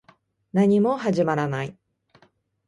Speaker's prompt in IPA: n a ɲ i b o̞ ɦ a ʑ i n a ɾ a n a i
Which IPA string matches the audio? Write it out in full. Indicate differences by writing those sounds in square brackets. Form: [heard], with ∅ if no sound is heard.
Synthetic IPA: n a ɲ i [m] o̞ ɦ a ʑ i [m] a ɾ a n a i